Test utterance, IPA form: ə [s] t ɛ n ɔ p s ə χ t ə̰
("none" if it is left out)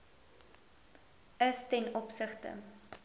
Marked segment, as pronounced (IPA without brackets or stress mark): s